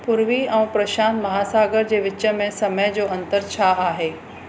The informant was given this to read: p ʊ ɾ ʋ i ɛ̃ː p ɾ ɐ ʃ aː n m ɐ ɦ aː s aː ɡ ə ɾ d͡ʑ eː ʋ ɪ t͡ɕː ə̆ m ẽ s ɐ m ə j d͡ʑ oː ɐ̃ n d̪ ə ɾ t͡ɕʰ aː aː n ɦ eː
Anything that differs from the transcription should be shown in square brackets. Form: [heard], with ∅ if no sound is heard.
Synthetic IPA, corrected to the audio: p ʊ ɾ ʋ i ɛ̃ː p ɾ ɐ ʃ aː n m ɐ ɦ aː s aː ɡ ə ɾ d͡ʑ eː ʋ ɪ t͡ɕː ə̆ m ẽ s ɐ m ə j d͡ʑ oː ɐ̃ n [t̪] ə ɾ t͡ɕʰ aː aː [∅] ɦ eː